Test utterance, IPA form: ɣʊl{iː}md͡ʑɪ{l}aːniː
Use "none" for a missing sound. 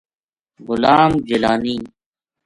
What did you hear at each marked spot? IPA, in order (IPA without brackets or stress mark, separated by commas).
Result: aː, l